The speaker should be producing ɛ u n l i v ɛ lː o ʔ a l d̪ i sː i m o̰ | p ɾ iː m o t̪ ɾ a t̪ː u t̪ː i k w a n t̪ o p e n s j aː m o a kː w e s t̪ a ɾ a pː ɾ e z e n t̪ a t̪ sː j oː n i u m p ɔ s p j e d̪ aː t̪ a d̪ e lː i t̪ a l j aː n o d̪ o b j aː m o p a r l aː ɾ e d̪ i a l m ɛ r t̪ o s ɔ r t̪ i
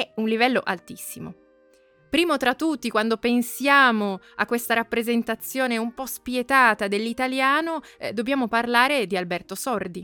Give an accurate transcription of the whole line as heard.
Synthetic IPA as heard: ɛ u n l i v ɛ lː o ʔ a l t̪ i sː i m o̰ | p ɾ iː m o t̪ ɾ a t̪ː u t̪ː i k w a n d̪ o p e n s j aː m o a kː w e s t̪ a ɾ a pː ɾ e z e n t̪ a t̪ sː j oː n e u m p ɔ s p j e t̪ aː t̪ a d̪ e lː i t̪ a l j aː n o d̪ o b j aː m o p a r l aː ɾ e d̪ i a l b ɛ r t̪ o s ɔ r d̪ i